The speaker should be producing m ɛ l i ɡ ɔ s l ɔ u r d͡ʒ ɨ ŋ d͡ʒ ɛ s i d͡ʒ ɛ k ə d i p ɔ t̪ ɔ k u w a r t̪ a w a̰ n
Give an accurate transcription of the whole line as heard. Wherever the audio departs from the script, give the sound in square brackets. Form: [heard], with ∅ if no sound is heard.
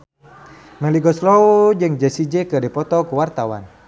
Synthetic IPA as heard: m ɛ l i ɡ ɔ s l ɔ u [∅] d͡ʒ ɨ ŋ d͡ʒ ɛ s i d͡ʒ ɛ k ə d i p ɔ t̪ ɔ k u w a r t̪ a w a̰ n